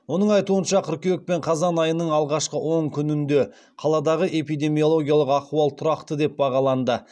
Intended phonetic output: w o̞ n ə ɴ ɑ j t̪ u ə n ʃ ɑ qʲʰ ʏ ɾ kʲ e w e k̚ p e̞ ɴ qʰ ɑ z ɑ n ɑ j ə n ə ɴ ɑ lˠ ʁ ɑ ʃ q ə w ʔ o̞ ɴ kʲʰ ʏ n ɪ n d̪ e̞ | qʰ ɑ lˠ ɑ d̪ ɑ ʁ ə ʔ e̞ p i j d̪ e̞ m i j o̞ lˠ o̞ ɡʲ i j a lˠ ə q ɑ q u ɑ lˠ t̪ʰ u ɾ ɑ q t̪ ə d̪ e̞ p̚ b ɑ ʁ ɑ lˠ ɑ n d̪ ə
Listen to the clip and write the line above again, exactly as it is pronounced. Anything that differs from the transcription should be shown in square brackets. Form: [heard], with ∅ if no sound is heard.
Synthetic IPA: w o̞ n ə ɴ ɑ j t̪ u ə n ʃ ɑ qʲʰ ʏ ɾ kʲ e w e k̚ p e̞ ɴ qʰ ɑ z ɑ n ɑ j ə n ə ɴ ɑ lˠ ʁ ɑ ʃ q ə w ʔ o̞ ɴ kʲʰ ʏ n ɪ n d̪ e̞ | qʰ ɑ lˠ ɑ d̪ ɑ ʁ ə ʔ e̞ p i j d̪ e̞ m i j o̞ lˠ o̞ ɡʲ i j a lˠ ə q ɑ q u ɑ lˠ t̪ʰ [ʊ] ɾ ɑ q t̪ ə d̪ e̞ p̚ b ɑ ʁ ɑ lˠ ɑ n d̪ ə